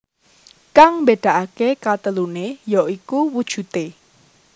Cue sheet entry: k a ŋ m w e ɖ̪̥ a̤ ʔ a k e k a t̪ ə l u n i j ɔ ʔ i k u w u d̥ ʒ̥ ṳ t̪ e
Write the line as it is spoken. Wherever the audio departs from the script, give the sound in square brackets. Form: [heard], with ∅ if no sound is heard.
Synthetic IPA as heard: k a ŋ m [b] e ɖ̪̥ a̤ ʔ a k e k a t̪ ə l u n [e] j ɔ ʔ i k u w u d̥ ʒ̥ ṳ t̪ e